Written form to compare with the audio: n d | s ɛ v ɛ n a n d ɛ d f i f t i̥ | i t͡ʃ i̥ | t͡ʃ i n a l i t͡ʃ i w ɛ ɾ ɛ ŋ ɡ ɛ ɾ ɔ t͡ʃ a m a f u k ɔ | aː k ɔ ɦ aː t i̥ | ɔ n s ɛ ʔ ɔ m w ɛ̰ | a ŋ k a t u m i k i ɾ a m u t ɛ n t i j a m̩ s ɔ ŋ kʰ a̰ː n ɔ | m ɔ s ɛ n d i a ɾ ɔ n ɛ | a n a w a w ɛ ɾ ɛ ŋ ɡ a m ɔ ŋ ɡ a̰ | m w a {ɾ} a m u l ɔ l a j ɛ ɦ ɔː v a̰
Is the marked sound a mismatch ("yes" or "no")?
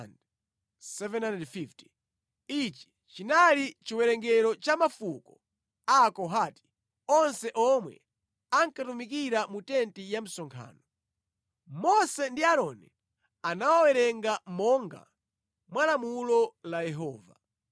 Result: yes